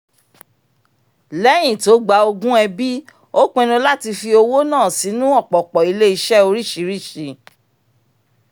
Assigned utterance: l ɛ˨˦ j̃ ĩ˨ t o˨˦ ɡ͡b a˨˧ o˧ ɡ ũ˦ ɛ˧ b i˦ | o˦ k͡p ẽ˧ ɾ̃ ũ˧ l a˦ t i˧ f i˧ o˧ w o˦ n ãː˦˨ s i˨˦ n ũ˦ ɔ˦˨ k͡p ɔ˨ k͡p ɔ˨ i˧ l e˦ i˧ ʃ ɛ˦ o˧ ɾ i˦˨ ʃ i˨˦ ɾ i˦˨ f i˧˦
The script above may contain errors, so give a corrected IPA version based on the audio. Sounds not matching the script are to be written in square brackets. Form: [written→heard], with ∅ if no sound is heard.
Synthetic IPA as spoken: l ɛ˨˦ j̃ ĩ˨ t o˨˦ ɡ͡b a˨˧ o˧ ɡ ũ˦ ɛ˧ b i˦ | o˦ k͡p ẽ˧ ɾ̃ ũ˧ l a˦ t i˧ f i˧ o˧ w o˦ n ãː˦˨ s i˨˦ n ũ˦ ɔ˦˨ k͡p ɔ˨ k͡p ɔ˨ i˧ l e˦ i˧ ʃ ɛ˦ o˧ ɾ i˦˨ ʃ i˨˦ ɾ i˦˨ [f→ʃ] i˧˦